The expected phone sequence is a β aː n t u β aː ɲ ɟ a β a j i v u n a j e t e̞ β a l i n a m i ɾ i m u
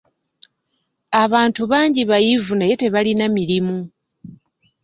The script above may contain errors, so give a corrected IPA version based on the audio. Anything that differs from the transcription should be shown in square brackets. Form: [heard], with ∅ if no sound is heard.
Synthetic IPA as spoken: a β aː n t u β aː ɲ ɟ [i] β a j i v u n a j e t e̞ β a l i n a m i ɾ i m u